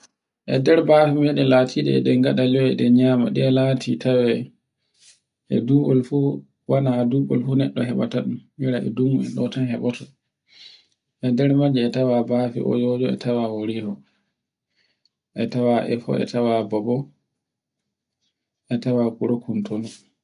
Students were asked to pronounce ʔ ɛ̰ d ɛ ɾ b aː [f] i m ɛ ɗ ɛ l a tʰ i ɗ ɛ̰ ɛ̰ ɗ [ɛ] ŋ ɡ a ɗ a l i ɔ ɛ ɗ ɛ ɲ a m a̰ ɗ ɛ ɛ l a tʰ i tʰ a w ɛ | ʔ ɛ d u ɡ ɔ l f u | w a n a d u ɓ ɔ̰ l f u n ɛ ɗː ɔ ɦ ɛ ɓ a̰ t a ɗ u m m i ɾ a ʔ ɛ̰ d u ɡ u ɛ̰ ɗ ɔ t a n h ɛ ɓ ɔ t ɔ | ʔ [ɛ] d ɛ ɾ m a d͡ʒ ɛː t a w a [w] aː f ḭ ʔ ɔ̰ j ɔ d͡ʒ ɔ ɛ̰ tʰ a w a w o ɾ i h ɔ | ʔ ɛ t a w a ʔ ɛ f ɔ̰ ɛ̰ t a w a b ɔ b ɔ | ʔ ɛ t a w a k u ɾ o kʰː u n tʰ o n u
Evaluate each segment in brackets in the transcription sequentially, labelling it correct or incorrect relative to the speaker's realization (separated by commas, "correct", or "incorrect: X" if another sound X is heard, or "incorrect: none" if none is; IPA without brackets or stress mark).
correct, correct, correct, incorrect: b